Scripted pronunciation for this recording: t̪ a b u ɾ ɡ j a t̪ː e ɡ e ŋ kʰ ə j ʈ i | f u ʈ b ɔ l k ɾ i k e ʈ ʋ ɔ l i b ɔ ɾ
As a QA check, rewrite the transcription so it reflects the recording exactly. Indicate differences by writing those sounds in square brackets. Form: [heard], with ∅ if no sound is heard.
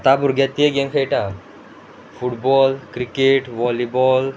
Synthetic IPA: t̪ a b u ɾ ɡ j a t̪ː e ɡ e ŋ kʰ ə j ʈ [a] | f u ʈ b ɔ l k ɾ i k e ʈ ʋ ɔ l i b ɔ [l]